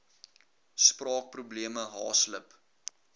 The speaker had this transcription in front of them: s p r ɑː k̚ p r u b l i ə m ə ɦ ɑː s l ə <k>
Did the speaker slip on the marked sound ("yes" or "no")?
yes